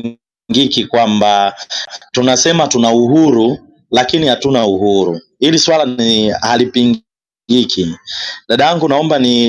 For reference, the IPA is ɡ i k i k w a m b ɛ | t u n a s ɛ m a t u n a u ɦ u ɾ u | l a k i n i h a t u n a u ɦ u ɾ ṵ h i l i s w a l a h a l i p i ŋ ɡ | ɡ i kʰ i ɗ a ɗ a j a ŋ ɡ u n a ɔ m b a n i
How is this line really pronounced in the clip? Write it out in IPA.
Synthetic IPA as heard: ɡ i k i k w a m b a | t u n a s ɛ m a t u n a u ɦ u ɾ u | l a k i n i h a t u n a u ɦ u ɾ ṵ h i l i s w a l a h a l i p i ŋ ɡ | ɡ i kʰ i ɗ a ɗ a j a ŋ ɡ u n a ɔ m b a n i